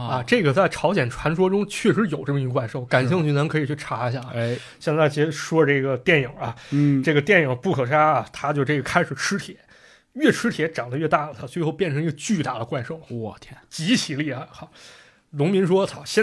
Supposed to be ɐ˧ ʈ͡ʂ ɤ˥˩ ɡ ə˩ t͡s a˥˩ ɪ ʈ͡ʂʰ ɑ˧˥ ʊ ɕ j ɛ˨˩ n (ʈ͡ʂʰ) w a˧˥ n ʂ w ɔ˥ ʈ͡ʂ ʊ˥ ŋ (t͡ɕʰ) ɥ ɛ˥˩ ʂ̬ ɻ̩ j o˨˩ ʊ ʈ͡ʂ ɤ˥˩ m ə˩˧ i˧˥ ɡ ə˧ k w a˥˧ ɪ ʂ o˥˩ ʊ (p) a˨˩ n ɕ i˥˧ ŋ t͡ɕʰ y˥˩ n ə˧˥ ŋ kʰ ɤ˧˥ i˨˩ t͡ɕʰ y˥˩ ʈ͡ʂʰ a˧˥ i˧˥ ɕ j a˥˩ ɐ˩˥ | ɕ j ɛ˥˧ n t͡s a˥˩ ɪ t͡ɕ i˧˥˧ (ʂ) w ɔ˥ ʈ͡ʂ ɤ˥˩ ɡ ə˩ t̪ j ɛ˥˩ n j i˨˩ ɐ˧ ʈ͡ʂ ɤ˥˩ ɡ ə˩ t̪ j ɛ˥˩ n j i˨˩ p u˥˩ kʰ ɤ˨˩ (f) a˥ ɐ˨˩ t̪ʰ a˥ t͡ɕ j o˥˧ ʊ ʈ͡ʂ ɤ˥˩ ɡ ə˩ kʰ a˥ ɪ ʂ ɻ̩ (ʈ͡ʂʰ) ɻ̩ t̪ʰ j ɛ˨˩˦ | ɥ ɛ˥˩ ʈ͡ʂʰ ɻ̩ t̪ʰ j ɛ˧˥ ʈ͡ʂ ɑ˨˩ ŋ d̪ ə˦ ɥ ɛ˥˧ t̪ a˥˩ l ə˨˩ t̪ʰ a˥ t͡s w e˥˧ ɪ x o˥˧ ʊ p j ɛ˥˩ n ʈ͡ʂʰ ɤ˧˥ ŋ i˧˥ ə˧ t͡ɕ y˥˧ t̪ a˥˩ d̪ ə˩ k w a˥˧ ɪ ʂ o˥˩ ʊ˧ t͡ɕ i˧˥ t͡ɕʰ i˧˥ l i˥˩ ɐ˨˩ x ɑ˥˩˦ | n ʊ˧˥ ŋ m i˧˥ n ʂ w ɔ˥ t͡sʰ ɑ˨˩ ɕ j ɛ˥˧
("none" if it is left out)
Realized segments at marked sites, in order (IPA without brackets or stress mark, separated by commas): ʈ͡ʂʰ, t͡ɕʰ, k, ʂ, ʂ, ʈ͡ʂʰ